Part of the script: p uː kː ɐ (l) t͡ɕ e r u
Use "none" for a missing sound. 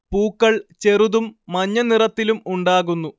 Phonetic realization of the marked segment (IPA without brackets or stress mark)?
ɭ